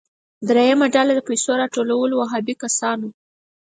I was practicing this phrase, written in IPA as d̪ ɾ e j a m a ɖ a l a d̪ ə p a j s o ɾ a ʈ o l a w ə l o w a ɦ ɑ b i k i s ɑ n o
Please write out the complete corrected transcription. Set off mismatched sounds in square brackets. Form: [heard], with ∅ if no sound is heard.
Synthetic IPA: d̪ ɾ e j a m a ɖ a l a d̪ ə p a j s o ɾ [ɑ] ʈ o l a w ə l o w a ɦ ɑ b i k [a] s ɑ n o